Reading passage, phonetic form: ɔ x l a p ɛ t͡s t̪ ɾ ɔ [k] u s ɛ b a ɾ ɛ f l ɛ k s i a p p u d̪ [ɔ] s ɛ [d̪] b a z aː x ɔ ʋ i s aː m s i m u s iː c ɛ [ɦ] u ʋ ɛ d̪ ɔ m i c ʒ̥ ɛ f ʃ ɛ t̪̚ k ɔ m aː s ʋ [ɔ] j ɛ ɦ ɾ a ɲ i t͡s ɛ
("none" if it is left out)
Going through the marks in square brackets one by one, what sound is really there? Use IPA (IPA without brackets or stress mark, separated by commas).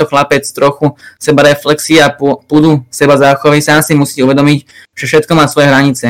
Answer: x, u, none, none, ɔ